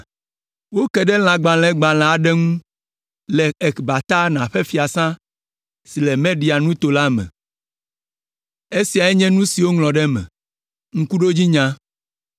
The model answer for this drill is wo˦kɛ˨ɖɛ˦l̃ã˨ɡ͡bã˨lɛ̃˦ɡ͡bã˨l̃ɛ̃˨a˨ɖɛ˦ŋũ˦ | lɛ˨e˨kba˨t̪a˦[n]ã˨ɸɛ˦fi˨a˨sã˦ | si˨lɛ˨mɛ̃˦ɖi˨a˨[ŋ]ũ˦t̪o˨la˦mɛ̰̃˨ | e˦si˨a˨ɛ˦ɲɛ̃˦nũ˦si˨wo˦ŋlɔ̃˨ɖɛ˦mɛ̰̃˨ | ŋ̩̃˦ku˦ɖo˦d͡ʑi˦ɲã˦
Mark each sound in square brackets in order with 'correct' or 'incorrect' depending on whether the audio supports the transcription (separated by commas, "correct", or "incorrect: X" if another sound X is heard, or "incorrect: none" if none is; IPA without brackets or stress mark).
correct, incorrect: n